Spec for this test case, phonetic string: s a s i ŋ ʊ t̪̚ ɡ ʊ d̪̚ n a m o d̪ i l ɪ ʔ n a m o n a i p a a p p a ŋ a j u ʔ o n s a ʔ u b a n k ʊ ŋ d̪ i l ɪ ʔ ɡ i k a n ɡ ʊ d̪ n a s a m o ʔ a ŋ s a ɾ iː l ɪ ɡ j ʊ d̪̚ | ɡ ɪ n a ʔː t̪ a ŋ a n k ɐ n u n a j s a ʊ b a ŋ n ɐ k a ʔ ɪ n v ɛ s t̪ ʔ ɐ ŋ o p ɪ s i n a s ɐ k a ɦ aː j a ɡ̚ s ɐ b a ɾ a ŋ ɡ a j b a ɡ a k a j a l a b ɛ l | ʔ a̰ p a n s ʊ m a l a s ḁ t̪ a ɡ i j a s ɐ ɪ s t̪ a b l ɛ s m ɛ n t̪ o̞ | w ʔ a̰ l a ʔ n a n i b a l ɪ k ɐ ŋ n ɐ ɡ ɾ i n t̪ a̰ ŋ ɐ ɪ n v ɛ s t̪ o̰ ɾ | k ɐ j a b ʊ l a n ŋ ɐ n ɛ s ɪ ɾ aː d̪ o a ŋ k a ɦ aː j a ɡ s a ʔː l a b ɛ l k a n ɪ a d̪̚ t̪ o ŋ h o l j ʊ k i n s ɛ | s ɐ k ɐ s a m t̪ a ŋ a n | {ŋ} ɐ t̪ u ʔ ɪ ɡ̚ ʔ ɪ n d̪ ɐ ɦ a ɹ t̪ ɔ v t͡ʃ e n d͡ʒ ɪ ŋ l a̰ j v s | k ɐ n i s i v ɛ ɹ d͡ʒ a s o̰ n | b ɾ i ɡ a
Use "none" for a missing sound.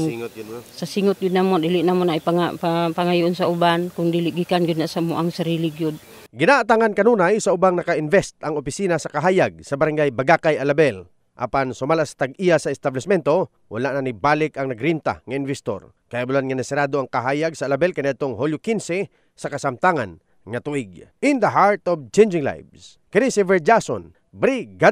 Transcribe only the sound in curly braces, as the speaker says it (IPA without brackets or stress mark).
ŋ